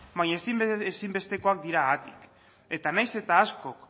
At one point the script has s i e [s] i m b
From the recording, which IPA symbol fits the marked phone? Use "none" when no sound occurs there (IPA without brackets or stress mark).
s